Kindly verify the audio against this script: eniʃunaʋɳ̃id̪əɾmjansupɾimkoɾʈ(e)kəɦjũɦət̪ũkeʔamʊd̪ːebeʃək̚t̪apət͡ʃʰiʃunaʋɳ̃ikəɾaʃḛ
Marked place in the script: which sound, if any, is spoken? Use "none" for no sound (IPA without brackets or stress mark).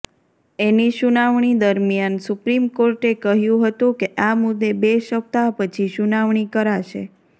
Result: e